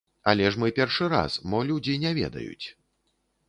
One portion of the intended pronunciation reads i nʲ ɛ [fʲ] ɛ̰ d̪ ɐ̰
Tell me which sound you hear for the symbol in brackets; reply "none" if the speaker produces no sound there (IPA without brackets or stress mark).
vʲ